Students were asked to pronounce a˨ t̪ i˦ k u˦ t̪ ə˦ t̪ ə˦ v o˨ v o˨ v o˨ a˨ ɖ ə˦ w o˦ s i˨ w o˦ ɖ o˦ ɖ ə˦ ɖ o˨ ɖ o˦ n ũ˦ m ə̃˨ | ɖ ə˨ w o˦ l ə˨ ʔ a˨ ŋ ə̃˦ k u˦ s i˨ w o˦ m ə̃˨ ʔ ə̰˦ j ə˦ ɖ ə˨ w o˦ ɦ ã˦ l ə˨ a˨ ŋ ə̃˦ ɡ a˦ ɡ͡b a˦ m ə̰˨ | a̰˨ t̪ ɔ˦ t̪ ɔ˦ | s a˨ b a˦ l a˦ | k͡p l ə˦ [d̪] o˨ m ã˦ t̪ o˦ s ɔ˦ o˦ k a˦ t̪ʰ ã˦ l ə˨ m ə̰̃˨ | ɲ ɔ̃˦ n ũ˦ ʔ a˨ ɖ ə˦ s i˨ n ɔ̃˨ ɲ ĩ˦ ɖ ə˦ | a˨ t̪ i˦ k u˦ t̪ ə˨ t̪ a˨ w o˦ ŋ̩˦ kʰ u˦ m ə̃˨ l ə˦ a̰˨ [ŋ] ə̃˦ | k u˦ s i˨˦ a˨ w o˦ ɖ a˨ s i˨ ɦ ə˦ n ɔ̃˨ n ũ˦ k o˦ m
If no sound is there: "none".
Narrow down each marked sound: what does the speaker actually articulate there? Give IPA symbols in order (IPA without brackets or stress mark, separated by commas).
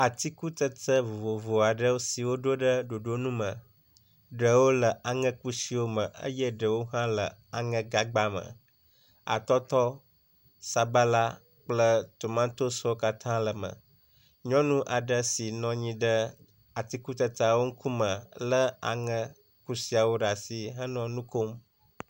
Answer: t̪, ŋ